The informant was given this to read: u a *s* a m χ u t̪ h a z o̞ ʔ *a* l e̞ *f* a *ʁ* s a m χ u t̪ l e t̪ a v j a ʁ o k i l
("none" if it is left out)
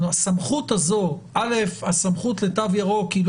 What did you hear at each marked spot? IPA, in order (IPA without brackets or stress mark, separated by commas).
s, a, f, none